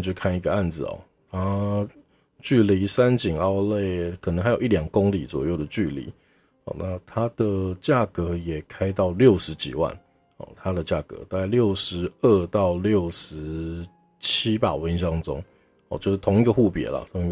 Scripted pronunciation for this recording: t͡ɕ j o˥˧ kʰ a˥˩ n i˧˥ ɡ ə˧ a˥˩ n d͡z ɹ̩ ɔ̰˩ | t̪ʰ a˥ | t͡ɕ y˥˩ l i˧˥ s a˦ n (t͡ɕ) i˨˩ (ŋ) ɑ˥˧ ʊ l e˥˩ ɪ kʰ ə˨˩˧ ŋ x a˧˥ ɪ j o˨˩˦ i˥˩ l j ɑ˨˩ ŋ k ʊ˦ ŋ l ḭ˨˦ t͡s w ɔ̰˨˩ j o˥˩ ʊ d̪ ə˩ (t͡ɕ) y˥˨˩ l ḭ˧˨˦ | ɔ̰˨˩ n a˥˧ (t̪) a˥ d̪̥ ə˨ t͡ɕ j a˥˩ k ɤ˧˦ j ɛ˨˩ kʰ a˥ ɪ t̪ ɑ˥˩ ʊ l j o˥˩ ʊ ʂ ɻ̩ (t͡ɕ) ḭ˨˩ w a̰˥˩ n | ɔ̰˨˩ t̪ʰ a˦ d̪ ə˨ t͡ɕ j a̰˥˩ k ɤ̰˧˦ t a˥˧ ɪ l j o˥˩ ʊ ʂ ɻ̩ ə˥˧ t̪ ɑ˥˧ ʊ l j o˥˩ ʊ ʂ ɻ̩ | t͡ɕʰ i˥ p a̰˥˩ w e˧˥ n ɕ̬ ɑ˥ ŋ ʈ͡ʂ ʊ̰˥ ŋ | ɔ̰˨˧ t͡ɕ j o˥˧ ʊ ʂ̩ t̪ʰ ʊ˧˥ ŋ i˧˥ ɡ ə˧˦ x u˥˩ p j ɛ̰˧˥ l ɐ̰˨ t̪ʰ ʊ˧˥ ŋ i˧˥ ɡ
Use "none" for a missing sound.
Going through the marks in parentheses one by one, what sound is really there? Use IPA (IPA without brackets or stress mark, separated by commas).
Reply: t͡ɕ, ŋ, t͡ɕ, t̪ʰ, t͡ɕ